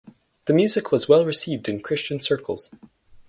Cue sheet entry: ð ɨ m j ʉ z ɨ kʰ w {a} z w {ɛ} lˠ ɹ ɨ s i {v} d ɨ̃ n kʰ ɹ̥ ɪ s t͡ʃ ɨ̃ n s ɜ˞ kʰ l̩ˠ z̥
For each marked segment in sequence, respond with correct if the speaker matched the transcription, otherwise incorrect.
incorrect, correct, correct

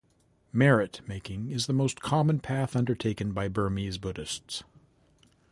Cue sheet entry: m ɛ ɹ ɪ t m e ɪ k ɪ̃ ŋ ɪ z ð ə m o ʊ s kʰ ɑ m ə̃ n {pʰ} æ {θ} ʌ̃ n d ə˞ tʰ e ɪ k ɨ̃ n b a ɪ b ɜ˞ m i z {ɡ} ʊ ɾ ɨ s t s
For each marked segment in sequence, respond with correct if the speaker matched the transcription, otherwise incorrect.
correct, correct, incorrect

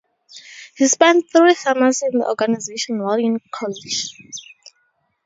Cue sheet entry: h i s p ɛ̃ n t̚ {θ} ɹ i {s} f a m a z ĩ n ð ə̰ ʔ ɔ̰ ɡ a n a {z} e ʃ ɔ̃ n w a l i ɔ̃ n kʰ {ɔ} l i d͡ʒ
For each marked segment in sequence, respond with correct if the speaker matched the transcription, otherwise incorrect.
correct, incorrect, correct, correct

